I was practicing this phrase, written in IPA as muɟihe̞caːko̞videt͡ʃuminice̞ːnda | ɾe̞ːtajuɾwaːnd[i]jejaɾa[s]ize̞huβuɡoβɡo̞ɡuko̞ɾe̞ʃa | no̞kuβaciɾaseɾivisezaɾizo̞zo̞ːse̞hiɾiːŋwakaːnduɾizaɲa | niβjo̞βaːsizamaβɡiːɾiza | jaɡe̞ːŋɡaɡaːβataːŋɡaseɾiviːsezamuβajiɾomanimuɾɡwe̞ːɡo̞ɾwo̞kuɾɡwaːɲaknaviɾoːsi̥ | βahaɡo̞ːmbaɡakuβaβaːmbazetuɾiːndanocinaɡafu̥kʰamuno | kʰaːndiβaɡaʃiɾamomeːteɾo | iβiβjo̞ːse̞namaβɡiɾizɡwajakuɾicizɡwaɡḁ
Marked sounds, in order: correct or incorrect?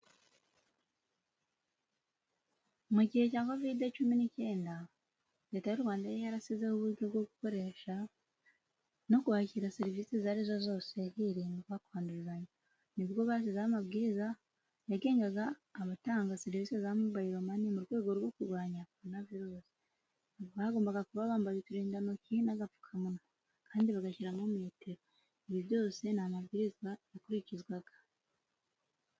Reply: incorrect: a, correct

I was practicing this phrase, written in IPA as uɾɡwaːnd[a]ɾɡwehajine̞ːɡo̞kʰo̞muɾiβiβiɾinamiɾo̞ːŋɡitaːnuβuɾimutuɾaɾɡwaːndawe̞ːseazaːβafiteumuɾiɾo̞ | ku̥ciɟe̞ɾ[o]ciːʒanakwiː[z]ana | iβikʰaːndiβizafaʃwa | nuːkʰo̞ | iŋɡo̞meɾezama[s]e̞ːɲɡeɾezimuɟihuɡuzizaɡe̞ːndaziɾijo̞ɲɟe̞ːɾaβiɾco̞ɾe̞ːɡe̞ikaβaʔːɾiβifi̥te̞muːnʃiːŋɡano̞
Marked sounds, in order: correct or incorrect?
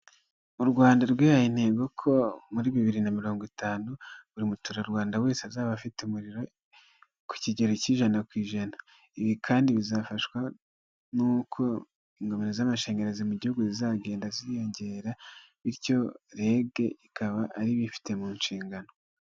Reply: correct, correct, incorrect: ʒ, incorrect: ʃ

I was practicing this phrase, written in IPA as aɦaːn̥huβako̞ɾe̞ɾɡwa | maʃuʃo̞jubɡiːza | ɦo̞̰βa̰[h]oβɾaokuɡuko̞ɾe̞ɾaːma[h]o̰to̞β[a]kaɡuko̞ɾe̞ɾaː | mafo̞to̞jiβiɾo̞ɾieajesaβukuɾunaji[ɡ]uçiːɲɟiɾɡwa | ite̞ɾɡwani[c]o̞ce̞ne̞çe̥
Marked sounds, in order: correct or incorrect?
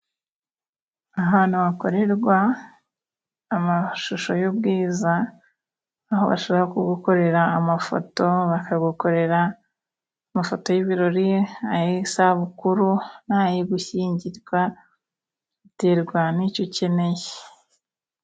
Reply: incorrect: ʃ, incorrect: f, correct, correct, correct

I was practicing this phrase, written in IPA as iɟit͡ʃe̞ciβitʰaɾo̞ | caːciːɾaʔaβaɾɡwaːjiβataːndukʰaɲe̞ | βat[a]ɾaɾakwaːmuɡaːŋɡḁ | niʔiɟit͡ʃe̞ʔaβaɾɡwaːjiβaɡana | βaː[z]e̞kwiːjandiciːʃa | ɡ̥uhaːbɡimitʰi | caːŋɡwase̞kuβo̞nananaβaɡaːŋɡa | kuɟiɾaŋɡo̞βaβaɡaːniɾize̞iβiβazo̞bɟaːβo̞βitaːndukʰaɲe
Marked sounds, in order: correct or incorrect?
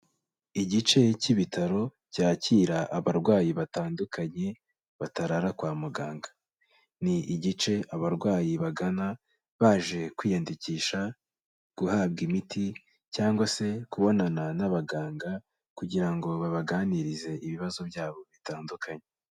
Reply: correct, incorrect: ʒ

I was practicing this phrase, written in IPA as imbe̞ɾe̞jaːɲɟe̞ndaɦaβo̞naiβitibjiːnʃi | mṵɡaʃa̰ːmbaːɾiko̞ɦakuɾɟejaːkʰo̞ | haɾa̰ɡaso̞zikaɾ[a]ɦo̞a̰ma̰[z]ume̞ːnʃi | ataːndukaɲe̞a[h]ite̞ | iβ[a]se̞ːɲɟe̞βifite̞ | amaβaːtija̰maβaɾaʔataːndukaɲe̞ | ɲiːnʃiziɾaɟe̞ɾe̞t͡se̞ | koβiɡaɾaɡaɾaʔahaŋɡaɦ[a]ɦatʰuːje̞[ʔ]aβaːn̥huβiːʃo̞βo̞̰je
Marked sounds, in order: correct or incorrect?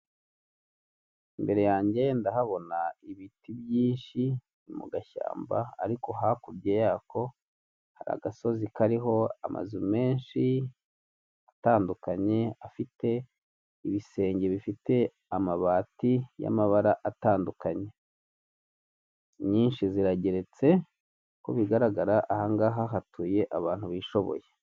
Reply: incorrect: i, correct, incorrect: f, incorrect: i, correct, correct

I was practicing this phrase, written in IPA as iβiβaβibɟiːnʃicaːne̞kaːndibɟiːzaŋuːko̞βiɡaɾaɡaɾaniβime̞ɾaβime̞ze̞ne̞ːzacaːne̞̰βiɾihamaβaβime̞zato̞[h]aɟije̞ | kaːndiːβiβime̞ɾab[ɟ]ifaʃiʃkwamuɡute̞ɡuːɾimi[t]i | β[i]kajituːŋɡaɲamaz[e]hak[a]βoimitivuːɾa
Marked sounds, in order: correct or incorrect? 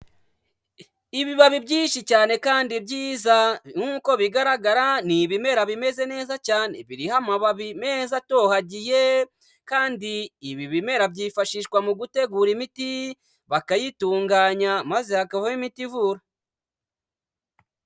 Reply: correct, correct, correct, incorrect: a, correct, correct

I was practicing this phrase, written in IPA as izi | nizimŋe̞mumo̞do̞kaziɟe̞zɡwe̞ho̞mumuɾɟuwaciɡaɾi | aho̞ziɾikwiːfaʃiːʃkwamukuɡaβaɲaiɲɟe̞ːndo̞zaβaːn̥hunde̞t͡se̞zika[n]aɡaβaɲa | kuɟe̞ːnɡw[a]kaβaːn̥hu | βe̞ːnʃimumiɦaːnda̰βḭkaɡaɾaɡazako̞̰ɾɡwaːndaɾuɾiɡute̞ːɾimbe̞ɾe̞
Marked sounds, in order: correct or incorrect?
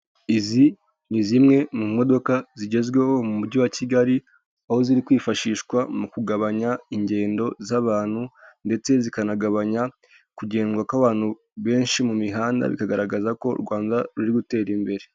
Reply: correct, correct

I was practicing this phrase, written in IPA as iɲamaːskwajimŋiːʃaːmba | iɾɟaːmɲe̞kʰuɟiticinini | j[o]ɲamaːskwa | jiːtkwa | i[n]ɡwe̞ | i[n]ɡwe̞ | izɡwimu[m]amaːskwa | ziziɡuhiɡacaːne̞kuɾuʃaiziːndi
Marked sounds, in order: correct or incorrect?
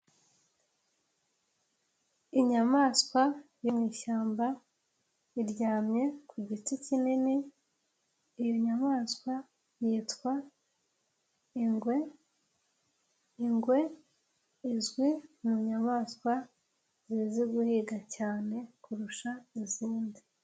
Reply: correct, incorrect: ŋ, incorrect: ŋ, incorrect: ɲ

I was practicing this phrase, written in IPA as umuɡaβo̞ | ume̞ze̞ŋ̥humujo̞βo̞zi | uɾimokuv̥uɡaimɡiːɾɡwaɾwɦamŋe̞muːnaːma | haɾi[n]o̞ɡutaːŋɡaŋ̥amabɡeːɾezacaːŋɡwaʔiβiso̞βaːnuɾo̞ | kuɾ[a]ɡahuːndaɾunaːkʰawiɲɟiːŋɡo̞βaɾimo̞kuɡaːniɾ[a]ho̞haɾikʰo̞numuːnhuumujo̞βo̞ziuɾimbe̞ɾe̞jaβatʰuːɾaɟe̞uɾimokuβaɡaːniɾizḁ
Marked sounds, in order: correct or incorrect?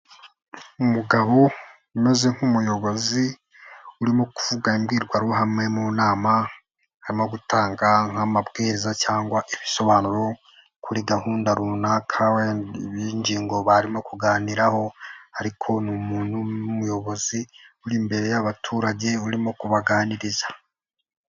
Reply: incorrect: m, incorrect: i, correct

